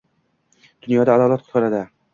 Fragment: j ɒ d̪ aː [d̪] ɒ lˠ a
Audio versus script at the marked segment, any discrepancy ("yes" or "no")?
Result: no